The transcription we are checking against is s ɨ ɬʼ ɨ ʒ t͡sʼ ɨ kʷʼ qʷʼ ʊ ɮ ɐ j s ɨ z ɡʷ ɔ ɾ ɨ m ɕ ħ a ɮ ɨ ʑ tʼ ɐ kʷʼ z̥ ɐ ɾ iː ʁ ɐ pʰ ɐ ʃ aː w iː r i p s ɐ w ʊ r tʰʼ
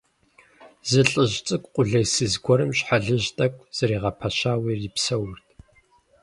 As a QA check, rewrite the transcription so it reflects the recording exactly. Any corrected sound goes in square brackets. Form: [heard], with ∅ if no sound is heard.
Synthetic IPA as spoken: [z] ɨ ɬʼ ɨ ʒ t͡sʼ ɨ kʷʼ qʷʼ ʊ ɮ ɐ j s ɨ z ɡʷ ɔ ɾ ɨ m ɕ ħ a ɮ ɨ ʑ tʼ ɐ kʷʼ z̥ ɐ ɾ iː ʁ ɐ pʰ ɐ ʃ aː w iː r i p s ɐ w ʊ r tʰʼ